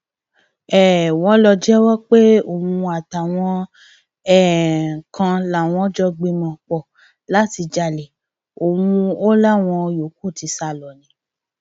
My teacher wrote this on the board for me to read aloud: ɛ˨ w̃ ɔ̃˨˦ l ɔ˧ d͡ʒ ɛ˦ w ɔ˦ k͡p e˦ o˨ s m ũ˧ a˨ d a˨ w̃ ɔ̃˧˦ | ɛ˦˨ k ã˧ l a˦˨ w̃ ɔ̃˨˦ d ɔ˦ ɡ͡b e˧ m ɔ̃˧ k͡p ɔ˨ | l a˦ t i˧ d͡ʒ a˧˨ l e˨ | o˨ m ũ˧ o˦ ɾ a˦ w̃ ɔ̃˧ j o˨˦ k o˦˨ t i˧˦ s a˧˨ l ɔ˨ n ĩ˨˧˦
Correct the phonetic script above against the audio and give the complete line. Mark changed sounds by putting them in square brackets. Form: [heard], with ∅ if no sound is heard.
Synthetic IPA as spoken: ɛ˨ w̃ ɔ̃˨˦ l ɔ˧ d͡ʒ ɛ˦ w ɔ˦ k͡p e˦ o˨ [∅] m ũ˧ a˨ [t] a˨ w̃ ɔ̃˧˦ | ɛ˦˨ k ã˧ l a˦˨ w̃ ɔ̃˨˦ [d͡ʒ] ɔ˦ ɡ͡b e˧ m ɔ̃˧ k͡p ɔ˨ | l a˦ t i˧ d͡ʒ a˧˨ l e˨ | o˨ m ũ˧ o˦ [l] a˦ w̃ ɔ̃˧ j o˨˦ k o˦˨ t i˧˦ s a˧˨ l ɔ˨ n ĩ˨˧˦